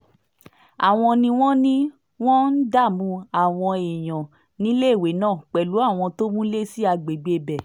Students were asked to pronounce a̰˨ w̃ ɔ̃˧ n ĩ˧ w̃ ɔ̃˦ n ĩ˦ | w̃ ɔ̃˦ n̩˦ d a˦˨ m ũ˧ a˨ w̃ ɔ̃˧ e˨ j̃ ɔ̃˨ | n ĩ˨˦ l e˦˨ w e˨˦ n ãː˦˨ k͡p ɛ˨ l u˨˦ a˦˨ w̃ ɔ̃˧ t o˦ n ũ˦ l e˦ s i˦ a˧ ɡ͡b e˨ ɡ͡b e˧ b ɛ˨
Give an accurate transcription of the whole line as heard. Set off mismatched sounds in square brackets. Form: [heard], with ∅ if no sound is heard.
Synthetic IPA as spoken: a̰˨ w̃ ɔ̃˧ n ĩ˧ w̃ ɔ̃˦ n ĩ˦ | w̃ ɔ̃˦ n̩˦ d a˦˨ m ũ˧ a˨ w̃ ɔ̃˧ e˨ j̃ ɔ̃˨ | n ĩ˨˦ l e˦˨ w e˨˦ n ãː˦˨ k͡p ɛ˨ l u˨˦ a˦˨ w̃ ɔ̃˧ t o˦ [m] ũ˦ l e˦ s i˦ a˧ ɡ͡b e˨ ɡ͡b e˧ b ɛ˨